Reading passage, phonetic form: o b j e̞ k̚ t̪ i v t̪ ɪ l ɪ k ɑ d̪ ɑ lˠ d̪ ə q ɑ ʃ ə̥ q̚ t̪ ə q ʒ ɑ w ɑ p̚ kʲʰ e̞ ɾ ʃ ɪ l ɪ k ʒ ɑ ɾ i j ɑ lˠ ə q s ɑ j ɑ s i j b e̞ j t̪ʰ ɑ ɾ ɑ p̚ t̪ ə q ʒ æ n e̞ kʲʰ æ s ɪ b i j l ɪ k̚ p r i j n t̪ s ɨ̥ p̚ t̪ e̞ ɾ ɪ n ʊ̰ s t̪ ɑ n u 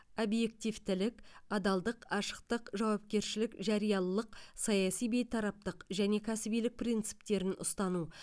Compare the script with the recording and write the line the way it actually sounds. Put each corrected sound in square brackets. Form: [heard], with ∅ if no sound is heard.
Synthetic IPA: o b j e̞ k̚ t̪ i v t̪ ɪ l ɪ k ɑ d̪ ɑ lˠ d̪ ə q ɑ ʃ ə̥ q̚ t̪ ə q ʒ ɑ w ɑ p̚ [kʲ] e̞ ɾ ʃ ɪ l ɪ k ʒ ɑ ɾ i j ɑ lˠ ə q s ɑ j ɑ s i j b e̞ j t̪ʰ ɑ ɾ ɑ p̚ t̪ ə q ʒ æ n e̞ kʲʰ æ s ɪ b i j l ɪ k̚ p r i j n t̪ s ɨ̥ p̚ t̪ e̞ ɾ ɪ n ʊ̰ s t̪ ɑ n u